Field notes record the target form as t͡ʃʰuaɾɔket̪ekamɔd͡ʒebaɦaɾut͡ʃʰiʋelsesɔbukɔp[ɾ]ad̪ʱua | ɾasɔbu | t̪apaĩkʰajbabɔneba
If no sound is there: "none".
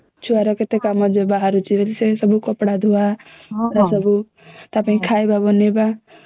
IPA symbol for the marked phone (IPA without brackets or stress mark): ɽ